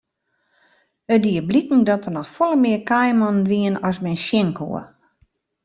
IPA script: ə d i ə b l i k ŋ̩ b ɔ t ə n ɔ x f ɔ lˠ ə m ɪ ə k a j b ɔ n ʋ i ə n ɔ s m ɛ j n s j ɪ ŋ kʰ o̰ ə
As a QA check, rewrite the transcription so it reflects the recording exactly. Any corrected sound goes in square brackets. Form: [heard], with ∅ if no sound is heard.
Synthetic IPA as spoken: ə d i ə b l i k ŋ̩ [d] ɔ t ə n ɔ x f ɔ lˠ ə m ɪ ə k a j [m] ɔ n ʋ i ə n ɔ s m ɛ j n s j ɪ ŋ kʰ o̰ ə